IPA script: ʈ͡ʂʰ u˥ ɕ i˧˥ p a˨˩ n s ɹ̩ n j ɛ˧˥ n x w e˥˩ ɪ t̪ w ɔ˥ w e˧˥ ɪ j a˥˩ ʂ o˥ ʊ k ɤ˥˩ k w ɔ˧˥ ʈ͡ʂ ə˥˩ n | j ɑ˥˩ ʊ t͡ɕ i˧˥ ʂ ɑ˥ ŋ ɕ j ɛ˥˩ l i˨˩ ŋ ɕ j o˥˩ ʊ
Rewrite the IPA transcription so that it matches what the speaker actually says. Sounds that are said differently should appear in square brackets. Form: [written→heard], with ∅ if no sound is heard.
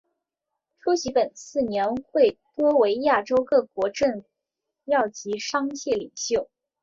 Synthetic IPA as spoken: ʈ͡ʂʰ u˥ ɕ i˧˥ p [a˨˩→ə˨˩] n s ɹ̩ n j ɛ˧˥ n x w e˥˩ ɪ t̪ w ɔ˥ w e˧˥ ɪ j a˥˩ [ʂ→ʈ͡ʂ] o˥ ʊ k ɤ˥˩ k w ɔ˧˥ ʈ͡ʂ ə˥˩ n | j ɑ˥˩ ʊ t͡ɕ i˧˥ ʂ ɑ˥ ŋ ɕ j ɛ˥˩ l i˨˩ ŋ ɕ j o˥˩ ʊ